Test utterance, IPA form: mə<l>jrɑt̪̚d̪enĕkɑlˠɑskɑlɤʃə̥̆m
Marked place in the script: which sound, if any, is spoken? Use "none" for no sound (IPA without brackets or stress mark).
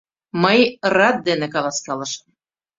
none